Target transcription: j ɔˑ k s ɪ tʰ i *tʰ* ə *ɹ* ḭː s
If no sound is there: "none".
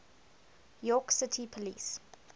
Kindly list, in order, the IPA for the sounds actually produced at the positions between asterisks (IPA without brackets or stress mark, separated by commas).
pʰ, l